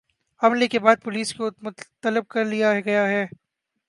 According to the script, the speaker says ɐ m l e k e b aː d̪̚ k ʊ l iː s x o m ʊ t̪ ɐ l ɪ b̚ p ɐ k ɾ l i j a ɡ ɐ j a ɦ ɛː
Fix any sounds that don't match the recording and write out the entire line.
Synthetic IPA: ɐ m l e k e b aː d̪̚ p ʊ l iː s k o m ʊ t̪ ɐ l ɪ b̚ k ɐ ɾ l i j a ɡ ɐ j a ɦ ɛː